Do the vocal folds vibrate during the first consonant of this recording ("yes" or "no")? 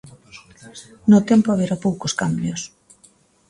yes